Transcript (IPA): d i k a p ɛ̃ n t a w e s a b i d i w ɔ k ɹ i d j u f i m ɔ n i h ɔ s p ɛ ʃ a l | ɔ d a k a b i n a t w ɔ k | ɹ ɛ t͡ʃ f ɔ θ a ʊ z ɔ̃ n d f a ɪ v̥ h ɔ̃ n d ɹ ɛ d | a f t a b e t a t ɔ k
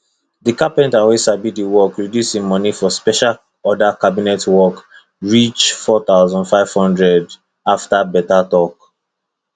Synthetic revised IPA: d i k a p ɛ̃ n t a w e s a b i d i w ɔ k ɹ i d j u s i m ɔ n i f ɔ s p ɛ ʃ a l | ɔ d a k a b i n ɛ t w ɔ k | ɹ i t͡ʃ f ɔ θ a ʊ z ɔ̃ n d f a ɪ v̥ h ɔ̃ n d ɹ ɛ d | a f t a b ɛ t a t ɔ k

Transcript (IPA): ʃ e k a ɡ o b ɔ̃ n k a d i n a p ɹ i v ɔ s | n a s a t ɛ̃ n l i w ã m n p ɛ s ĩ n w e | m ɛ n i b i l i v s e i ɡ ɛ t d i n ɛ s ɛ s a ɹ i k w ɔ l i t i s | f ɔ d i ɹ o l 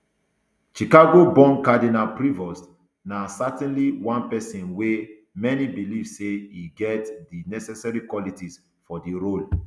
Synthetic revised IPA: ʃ i k a ɡ o b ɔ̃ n k a d i n a p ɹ i v ɔ s | n a s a t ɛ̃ n l i w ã n p ɛ s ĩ n w e | m ɛ n i b i l i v s e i ɡ ɛ t d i n ɛ s ɛ s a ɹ i k w ɔ l i t i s | f ɔ d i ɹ o l

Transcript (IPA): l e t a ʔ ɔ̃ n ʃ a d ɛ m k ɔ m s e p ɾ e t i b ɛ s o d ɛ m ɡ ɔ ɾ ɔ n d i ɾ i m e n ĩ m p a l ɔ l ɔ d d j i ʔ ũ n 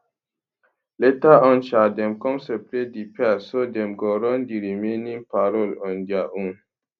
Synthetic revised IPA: l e t a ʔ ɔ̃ n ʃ a d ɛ m k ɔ m s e p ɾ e d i p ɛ s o d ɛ m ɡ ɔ ɾ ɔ n d i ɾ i m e n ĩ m p a ɾ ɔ l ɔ n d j a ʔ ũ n

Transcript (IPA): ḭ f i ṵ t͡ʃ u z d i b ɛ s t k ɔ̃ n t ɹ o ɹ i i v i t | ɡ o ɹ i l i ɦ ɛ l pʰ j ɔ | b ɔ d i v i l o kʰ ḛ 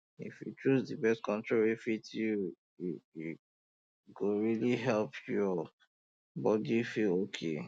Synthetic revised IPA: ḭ f j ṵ t͡ʃ u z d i b ɛ s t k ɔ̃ n t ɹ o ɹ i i f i t | ɡ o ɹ i l i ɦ ɛ l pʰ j ɔ | b ɔ d i f i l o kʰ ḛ

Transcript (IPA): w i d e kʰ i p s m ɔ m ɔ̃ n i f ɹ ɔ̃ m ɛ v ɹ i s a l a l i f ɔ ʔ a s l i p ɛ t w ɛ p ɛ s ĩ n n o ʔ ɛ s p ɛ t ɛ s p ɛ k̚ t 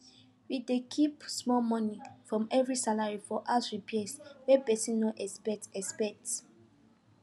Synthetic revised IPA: w i d e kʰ i p s m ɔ m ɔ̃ n i f ɹ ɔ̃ m ɛ v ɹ i s a l a ɹ i f ɔ ʔ a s ɹ i p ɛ s w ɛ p ɛ s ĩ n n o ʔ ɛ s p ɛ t ɛ s p ɛ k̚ t

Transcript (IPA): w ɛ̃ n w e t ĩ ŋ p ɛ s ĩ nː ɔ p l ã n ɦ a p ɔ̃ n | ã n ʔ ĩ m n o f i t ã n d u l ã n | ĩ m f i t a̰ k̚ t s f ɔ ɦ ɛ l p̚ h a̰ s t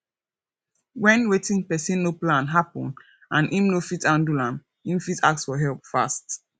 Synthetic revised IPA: w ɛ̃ n w e t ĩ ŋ p ɛ s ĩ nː o p l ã n ɦ a p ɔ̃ n | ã n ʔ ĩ m n o f i t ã n d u l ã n | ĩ m f i t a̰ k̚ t s f ɔ ɦ ɛ l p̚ f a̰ s t

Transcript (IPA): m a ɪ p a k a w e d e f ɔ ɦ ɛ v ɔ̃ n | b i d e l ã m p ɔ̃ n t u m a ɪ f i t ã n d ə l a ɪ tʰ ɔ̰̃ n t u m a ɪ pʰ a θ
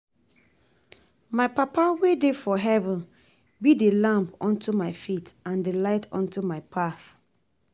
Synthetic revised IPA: m a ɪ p a p a w e d e f ɔ ɦ ɛ v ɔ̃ n | b i d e l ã m p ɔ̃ n t u m a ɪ f i t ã n d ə l a ɪ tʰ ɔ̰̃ n t u m a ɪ pʰ a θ

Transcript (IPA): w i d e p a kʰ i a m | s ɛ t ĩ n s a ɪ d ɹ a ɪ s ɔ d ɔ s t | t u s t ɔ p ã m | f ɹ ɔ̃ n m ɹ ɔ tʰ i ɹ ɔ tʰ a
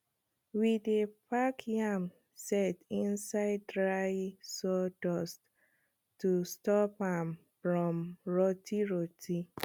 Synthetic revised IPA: w i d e p a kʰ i a m | s ɛ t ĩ n s a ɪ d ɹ a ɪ s ɔ d ɔ s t | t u s t ɔ p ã m | f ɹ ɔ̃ m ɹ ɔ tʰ i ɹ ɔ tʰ i

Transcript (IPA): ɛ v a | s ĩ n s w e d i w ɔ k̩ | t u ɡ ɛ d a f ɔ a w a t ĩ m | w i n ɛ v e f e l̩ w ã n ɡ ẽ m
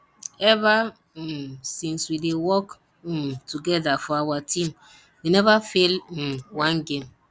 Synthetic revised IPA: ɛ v a | s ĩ n s w i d e w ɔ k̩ | t u ɡ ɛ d a f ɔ a w a t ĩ m | w i n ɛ v a f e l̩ w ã n ɡ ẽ m

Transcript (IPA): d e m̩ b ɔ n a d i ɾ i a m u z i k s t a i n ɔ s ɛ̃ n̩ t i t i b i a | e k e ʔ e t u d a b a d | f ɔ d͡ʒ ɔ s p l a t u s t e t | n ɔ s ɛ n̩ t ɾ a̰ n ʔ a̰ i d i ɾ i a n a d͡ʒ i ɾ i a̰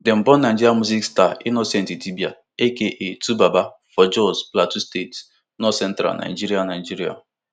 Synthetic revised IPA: d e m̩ b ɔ n a d͡ʒ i ɾ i a m u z i k s t a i n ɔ s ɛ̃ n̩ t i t i b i a | e k e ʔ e t u b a b a | f ɔ d͡ʒ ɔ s p l a t u s t e t | n ɔ s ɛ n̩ t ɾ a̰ n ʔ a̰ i d͡ʒ i ɾ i a n a d͡ʒ i ɾ i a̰

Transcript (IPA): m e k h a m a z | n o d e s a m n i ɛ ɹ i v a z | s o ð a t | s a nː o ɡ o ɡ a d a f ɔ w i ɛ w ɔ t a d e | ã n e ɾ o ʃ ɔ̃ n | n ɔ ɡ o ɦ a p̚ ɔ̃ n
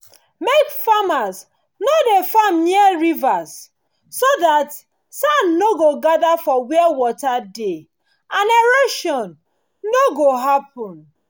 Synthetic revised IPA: m e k f a m a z | n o d e f a m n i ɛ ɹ i v a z | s o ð a t | s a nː o ɡ o ɡ a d a f ɔ w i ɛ w ɔ t a d e | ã n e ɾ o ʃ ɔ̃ n | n o ɡ o ɦ a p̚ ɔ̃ n

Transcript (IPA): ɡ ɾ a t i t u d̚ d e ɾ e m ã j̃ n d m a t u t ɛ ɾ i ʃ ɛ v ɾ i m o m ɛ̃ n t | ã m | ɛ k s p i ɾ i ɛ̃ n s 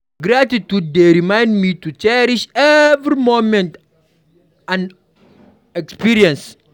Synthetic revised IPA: ɡ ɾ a t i t u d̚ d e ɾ i m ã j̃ n d m i t u t͡ʃ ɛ ɾ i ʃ ɛ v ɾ i m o m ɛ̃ n t | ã n | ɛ k s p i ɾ i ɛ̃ n s

